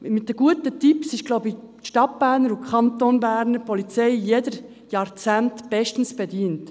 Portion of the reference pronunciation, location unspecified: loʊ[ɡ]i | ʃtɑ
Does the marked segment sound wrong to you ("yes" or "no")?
yes